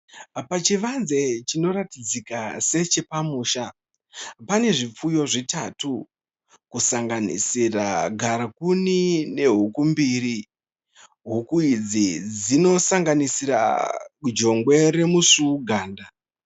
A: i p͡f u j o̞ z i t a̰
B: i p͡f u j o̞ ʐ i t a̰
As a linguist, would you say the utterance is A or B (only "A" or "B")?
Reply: B